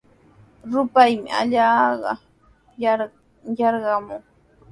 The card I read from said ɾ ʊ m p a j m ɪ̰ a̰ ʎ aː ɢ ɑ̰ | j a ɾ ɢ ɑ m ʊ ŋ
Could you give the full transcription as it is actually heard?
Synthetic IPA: ɾ ʊ p a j m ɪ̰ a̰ ʎ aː ɢ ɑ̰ | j ɑ ɾ ɢ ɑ m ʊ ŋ